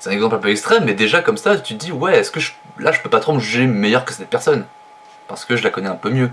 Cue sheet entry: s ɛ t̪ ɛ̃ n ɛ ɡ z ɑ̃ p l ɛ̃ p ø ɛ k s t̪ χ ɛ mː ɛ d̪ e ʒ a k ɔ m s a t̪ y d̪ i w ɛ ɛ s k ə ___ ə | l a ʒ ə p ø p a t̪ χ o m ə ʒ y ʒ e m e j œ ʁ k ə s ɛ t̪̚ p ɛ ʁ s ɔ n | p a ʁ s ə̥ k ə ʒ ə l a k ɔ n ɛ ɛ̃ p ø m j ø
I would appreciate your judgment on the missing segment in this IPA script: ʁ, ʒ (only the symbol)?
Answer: ʒ